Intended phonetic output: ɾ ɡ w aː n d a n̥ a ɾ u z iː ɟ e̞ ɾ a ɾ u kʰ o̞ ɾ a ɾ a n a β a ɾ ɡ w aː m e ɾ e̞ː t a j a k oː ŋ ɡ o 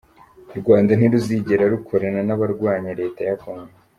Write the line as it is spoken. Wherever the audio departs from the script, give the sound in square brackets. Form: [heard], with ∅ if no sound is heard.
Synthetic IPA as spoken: ɾ ɡ w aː n d a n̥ [i] ɾ u z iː ɟ e̞ ɾ a ɾ u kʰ o̞ ɾ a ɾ a n a β a ɾ ɡ w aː [ɲ] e ɾ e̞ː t a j a k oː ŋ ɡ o